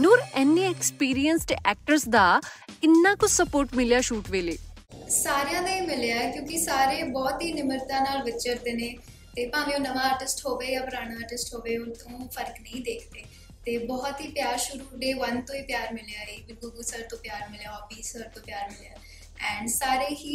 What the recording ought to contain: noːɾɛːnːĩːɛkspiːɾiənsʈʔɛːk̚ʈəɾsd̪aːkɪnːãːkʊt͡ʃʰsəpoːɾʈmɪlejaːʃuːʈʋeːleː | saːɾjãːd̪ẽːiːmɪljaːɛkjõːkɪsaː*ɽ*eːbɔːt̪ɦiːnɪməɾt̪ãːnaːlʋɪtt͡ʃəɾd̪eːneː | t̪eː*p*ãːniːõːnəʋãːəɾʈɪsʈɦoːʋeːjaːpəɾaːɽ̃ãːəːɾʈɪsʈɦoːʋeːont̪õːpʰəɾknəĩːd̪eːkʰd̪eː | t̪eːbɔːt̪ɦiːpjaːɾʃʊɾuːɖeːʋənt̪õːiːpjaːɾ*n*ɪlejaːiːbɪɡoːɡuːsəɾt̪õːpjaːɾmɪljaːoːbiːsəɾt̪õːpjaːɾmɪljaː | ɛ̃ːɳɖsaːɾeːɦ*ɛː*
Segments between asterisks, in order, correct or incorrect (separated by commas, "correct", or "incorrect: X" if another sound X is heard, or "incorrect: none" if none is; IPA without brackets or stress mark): incorrect: ɾ, correct, incorrect: m, incorrect: iː